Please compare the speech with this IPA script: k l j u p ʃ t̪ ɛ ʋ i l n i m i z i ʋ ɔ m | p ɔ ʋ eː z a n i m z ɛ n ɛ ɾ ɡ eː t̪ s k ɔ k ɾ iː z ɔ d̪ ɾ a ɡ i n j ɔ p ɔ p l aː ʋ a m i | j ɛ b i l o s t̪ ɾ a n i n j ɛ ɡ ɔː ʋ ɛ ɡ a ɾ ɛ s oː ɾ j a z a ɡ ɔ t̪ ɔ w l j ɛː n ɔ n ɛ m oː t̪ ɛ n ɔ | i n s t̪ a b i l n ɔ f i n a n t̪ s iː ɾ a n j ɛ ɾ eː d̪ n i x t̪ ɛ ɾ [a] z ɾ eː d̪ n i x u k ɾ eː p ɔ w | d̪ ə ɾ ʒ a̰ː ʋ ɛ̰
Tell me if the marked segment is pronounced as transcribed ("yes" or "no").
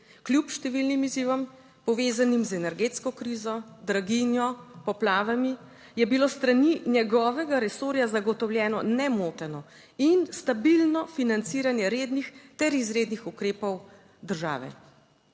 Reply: no